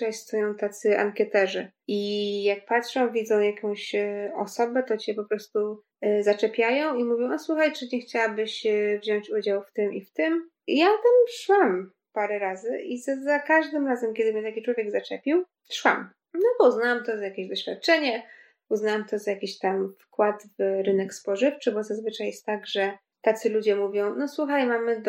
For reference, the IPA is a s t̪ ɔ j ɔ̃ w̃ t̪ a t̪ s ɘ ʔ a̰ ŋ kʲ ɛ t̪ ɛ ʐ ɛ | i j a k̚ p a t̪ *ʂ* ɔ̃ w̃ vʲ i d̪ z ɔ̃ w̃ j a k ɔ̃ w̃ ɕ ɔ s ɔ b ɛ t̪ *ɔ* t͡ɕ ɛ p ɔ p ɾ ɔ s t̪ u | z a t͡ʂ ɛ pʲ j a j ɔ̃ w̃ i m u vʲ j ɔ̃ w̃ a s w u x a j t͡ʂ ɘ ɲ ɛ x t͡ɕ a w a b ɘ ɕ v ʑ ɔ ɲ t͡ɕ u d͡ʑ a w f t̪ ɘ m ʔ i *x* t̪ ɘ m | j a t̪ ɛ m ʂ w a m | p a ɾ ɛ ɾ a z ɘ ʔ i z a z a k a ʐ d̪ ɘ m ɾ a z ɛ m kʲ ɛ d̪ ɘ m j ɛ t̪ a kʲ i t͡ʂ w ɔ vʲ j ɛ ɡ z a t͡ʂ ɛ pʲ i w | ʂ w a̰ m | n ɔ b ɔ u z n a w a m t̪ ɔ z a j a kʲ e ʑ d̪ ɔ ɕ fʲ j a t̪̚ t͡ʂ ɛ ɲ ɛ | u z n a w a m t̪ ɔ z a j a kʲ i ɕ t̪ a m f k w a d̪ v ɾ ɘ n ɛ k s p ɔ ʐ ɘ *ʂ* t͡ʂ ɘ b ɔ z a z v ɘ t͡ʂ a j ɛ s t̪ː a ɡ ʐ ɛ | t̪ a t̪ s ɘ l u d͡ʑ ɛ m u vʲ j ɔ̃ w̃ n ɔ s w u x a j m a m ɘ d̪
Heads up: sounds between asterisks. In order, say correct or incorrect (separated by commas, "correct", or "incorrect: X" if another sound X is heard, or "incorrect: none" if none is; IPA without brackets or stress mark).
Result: correct, correct, incorrect: f, incorrect: f